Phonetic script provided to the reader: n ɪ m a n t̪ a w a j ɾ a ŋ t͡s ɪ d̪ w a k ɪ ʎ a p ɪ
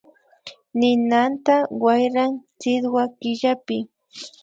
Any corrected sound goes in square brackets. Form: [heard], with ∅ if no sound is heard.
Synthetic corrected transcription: n ɪ [n] a n t̪ a w a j ɾ a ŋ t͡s ɪ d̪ w a k ɪ ʎ a p ɪ

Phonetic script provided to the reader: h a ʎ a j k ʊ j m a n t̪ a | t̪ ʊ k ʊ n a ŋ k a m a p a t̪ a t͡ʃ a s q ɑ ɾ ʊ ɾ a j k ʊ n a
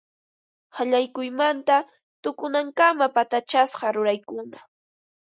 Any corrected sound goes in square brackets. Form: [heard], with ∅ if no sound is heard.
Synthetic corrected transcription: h a ʎ a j k ʊ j m a n t̪ a | t̪ ʊ k ʊ n a ŋ k a m a p a t̪ a t͡ʃ a s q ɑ ɾ ʊ ɾ a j k ʊ n a

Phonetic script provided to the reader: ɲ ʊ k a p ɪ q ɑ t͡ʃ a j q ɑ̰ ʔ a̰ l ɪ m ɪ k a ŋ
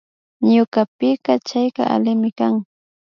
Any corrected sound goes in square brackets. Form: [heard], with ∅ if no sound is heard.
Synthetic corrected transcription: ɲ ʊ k a p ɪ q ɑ t͡ʃ a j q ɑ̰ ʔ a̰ l ɪ m ɪ k a ŋ

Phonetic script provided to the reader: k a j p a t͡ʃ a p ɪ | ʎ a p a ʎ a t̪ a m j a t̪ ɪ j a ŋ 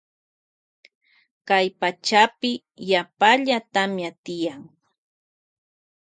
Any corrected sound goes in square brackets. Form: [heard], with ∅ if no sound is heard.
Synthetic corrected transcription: k a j p a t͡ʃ a p ɪ | [j] a p a ʎ a t̪ a m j a t̪ ɪ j a ŋ

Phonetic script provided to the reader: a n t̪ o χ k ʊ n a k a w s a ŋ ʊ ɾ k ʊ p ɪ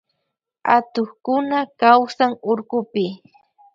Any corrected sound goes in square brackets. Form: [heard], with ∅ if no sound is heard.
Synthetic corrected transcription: a [∅] t̪ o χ k ʊ n a k a w s a ŋ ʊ ɾ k ʊ p ɪ

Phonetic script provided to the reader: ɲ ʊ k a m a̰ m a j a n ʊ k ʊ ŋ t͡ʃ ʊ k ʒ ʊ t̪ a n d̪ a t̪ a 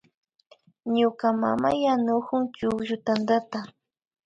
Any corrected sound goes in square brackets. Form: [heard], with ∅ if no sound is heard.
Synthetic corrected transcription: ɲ ʊ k a m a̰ m a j a n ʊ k ʊ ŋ t͡ʃ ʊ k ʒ ʊ t̪ a n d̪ a t̪ a

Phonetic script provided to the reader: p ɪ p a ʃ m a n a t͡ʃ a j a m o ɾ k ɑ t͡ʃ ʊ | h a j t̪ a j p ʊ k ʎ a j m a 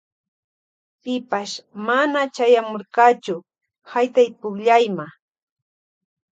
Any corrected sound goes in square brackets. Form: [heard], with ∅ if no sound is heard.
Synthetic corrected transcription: p ɪ p a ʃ m a n a t͡ʃ a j a m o ɾ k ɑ t͡ʃ ʊ | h a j t̪ a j p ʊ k ʎ a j m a

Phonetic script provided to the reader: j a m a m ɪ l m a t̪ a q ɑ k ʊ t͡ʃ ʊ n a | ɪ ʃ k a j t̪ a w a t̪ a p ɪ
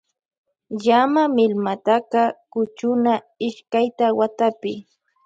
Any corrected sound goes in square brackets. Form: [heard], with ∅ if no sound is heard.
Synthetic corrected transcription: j a m a m ɪ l m a t̪ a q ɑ k ʊ t͡ʃ ʊ n a | ɪ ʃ k a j t̪ a w a t̪ a p ɪ

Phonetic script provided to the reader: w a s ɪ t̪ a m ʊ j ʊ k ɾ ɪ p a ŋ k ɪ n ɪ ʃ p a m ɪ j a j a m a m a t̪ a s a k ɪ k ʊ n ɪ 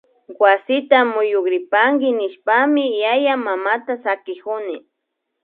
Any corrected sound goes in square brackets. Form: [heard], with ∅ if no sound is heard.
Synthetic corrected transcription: w a s ɪ t̪ a m ʊ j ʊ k ɾ ɪ p a ŋ [ɡ] ɪ n ɪ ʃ p a m ɪ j a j a m a m a t̪ a s a k ɪ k ʊ n ɪ

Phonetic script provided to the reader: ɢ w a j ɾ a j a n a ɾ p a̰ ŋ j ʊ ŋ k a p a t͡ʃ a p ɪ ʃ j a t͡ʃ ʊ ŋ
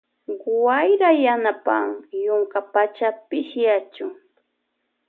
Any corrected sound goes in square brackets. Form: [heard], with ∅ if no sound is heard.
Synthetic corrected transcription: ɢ w a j ɾ a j a n a [∅] p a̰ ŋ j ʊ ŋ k a p a t͡ʃ a p ɪ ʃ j a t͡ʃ ʊ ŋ

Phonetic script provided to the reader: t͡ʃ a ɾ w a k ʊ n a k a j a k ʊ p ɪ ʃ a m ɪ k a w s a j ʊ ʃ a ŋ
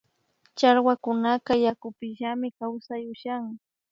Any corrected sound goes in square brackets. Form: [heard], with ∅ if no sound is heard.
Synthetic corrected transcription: t͡ʃ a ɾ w a k ʊ n a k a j a k ʊ p ɪ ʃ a m ɪ k a w s a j ʊ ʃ a ŋ

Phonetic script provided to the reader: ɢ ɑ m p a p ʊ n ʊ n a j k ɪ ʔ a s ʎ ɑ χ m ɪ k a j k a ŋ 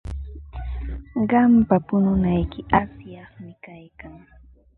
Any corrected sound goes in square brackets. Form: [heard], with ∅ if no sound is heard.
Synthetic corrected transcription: ɢ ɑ m p a p ʊ n ʊ n a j k ɪ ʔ a s [j] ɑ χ m ɪ k a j k a ŋ

